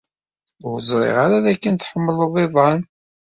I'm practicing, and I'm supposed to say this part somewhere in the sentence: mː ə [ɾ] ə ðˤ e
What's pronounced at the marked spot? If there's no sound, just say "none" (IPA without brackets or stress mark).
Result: l